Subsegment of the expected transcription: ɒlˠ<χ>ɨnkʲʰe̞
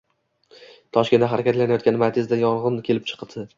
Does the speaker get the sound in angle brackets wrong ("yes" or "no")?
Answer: yes